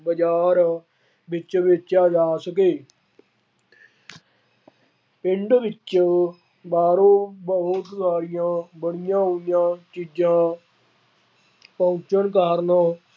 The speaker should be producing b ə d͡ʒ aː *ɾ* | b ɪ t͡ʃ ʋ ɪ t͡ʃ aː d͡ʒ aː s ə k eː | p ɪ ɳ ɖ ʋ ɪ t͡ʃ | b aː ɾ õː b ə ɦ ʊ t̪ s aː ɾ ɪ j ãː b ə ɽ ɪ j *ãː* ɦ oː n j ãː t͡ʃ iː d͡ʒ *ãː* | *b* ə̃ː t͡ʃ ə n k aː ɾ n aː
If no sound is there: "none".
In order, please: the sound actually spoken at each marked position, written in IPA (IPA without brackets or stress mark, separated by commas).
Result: ɾ, ãː, ãː, p